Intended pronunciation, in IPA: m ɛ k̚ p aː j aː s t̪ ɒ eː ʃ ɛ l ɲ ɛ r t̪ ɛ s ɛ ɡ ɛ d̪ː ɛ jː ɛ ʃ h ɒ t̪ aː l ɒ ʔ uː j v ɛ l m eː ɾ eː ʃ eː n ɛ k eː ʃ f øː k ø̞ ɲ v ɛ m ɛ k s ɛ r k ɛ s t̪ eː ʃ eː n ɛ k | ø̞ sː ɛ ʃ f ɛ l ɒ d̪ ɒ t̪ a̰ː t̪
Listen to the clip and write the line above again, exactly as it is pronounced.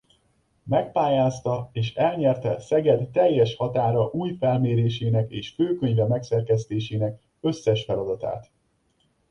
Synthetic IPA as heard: m ɛ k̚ p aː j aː s t̪ ɒ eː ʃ ɛ l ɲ ɛ r t̪ ɛ s ɛ ɡ ɛ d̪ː ɛ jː ɛ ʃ h ɒ t̪ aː ɾ ɒ ʔ uː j f ɛ l m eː ɾ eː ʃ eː n ɛ k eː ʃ f øː k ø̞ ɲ v ɛ m ɛ k s ɛ r k ɛ s t̪ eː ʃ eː n ɛ k | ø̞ sː ɛ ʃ f ɛ l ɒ d̪ ɒ t̪ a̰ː t̪